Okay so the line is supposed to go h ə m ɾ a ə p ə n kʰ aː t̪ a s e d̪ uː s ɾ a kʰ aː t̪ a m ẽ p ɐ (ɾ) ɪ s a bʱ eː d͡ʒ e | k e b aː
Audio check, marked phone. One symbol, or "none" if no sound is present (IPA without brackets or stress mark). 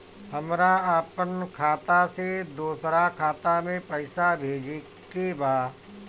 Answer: none